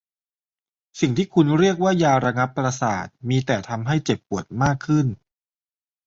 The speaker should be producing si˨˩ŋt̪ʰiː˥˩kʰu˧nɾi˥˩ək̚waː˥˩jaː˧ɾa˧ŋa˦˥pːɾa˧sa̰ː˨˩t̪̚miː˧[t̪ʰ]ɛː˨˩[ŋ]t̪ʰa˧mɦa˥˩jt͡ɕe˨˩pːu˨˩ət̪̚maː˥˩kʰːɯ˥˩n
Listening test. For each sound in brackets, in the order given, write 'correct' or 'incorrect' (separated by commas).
incorrect, incorrect